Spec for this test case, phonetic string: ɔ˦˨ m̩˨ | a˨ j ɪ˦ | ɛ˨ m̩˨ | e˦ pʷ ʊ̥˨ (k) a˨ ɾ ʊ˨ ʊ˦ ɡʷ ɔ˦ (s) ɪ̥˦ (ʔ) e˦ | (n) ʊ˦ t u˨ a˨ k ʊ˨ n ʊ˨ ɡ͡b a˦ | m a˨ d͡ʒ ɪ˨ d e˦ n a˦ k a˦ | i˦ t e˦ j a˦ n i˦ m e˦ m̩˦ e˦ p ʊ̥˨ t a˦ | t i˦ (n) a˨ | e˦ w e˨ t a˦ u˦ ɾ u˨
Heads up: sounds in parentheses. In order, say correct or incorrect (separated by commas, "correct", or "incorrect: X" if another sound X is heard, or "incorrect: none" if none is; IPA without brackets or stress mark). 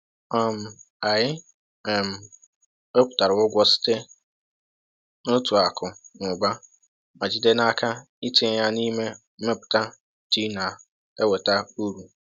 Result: incorrect: t, correct, incorrect: t, correct, correct